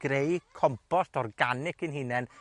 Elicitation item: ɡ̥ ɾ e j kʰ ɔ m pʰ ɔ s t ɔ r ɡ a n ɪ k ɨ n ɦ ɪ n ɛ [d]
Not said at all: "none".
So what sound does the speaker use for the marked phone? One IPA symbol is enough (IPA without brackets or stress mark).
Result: n